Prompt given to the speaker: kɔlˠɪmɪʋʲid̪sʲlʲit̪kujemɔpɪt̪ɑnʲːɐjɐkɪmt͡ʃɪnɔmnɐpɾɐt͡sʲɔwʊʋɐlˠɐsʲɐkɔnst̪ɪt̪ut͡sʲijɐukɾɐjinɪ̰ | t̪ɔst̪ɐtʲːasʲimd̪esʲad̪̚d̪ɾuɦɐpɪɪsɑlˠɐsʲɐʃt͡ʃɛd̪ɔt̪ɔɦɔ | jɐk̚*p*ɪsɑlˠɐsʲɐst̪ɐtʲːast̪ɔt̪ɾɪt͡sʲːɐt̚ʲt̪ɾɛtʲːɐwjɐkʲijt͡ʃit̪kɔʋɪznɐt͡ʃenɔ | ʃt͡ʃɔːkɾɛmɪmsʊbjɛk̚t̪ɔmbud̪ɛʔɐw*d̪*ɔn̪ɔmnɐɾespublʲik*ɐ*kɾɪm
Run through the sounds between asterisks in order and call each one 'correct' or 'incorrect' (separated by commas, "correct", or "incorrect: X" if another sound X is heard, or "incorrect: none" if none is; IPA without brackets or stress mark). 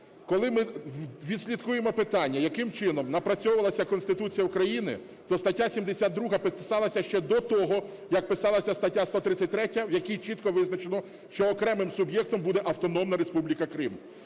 correct, incorrect: t̪, correct